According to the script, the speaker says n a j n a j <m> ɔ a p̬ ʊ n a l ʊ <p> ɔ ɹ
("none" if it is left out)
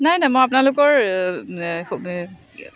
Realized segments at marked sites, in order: m, k

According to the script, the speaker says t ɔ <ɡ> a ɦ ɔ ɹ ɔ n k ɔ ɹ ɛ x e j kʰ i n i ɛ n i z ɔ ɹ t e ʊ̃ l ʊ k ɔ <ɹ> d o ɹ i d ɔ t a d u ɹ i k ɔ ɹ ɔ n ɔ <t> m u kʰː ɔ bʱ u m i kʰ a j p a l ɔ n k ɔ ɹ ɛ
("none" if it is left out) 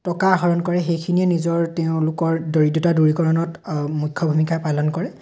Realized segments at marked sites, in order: k, ɹ, t

